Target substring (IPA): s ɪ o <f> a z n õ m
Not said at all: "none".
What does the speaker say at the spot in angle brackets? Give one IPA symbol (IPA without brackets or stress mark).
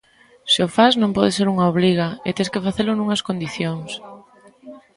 f